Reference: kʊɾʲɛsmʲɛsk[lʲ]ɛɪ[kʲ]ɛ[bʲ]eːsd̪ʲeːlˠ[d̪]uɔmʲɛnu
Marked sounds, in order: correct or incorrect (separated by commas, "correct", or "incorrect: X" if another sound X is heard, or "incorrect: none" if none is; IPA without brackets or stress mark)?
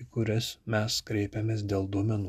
incorrect: ɾʲ, incorrect: pʲ, incorrect: mʲ, correct